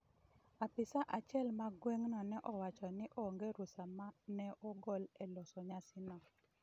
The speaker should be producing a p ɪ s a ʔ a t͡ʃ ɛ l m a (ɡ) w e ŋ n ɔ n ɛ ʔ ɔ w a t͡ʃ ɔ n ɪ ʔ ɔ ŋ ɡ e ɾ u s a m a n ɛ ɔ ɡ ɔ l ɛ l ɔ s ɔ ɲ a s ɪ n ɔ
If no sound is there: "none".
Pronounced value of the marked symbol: ɡ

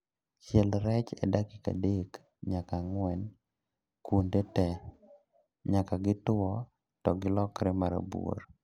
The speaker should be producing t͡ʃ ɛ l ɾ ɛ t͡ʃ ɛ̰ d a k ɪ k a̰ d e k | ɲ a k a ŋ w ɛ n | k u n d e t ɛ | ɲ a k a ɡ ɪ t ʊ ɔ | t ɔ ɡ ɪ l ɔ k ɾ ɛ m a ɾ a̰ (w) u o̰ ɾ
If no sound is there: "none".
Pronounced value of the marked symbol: b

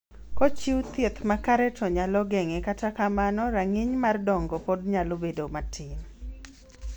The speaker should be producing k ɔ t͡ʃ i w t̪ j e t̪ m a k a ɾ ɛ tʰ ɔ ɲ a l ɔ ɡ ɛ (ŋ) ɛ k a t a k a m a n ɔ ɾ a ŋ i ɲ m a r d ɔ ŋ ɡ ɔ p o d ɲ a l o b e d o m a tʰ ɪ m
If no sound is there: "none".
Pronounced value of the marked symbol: ŋ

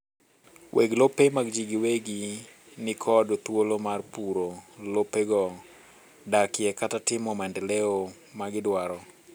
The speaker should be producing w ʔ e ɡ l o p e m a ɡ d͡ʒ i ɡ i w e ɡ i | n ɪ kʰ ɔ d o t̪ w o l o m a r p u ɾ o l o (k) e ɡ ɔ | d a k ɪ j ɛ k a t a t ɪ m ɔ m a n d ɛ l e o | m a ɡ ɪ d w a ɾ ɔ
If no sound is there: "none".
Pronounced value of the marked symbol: p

